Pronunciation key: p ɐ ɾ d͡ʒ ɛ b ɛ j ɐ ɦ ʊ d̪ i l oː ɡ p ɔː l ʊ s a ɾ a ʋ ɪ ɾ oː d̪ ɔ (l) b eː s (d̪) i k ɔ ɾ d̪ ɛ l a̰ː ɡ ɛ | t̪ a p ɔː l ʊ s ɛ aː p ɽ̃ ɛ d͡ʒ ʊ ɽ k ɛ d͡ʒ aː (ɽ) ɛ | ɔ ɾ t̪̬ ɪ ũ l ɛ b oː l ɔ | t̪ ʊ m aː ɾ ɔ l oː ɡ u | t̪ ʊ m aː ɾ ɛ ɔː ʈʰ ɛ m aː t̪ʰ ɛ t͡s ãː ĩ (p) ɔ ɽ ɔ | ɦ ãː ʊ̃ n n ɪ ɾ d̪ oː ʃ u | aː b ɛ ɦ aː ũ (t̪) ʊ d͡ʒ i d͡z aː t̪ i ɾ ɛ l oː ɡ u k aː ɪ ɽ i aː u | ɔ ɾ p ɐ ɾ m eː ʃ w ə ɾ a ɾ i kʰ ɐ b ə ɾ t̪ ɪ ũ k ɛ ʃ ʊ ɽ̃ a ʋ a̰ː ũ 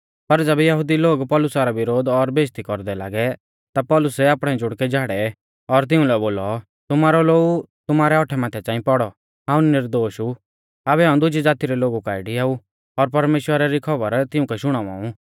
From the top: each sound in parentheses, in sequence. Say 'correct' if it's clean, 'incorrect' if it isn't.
incorrect: ɾ, incorrect: t̪, correct, correct, incorrect: d̪

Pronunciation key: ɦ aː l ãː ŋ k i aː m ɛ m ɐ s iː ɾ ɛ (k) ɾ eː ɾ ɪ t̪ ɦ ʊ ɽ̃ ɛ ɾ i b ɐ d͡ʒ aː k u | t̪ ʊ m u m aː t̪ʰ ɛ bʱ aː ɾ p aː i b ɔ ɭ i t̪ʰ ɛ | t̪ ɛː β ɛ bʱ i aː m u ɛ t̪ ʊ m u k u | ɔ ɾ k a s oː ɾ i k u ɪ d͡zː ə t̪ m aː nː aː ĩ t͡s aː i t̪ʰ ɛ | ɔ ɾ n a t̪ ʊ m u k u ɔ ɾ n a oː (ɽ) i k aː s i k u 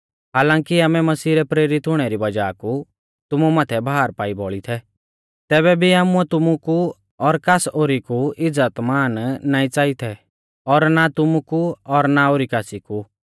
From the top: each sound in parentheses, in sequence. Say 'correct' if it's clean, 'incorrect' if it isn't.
incorrect: p, incorrect: ɾ

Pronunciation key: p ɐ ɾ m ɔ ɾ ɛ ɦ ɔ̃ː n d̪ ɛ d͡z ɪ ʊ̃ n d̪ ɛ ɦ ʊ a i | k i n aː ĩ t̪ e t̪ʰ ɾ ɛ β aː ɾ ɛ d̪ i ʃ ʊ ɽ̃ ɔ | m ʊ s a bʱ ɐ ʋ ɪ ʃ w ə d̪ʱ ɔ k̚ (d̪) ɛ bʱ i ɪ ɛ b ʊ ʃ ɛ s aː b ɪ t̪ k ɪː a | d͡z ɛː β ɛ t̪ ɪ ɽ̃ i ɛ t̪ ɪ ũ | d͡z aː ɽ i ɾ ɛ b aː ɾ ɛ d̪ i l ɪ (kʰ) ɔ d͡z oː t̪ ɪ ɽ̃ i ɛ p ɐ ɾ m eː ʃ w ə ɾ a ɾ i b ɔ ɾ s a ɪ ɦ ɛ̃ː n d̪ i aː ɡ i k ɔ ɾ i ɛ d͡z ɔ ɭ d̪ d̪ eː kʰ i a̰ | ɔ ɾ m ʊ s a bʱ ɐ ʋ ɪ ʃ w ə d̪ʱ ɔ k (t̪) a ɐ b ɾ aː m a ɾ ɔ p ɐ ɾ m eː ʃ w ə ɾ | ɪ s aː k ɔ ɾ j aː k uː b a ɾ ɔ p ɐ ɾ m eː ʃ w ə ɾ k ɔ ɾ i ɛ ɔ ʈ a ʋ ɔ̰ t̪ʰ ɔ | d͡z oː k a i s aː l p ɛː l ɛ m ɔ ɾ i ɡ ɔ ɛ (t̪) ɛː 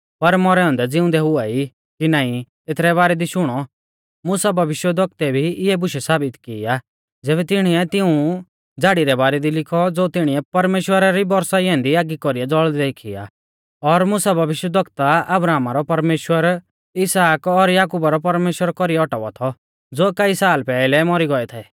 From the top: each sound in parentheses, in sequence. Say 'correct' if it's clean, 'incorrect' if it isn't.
incorrect: t̪, correct, correct, incorrect: t̪ʰ

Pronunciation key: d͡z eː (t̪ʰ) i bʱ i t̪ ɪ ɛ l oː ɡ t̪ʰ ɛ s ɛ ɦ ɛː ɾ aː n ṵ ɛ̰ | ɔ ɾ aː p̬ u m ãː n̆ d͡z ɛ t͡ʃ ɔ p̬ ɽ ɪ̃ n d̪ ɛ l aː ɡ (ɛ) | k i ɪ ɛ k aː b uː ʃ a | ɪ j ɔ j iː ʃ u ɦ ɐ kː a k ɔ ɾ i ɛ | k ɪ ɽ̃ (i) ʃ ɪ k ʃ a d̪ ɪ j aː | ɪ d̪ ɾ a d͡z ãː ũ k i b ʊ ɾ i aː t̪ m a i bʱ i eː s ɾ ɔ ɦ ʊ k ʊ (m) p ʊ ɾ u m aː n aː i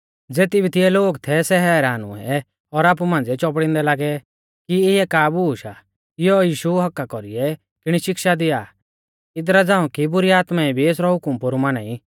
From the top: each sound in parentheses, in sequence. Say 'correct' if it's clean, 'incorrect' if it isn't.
incorrect: t̪, correct, correct, correct

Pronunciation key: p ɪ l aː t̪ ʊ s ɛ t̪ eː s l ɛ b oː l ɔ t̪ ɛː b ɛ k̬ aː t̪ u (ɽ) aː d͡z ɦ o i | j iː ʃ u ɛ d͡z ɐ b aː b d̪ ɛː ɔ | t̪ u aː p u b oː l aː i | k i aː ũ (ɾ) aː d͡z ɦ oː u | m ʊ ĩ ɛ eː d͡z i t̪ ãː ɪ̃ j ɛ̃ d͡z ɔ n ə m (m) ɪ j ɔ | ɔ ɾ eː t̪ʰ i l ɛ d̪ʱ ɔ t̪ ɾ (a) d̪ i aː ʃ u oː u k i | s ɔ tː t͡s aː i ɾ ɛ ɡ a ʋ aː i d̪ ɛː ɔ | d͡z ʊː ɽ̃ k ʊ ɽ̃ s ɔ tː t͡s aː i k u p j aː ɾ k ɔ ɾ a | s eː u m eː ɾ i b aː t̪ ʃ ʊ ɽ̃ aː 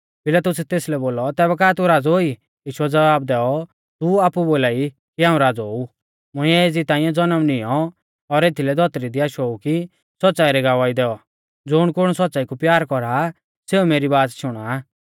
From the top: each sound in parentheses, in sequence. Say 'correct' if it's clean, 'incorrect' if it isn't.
incorrect: ɾ, correct, incorrect: n, incorrect: i

